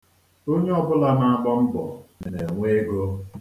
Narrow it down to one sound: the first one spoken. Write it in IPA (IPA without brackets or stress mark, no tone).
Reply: o